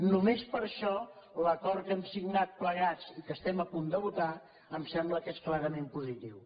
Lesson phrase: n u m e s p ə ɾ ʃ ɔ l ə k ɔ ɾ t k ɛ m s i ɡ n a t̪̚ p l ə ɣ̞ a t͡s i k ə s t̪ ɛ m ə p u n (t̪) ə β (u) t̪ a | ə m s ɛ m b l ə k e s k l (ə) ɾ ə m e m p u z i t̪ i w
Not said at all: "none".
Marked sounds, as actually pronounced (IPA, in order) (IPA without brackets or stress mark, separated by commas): d̪, u, a